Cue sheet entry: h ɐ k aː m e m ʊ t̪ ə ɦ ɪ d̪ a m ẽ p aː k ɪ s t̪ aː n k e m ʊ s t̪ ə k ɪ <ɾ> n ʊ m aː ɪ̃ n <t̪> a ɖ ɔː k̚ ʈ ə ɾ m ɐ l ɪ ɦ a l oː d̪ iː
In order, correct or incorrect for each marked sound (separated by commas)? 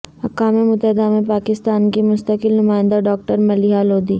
incorrect, incorrect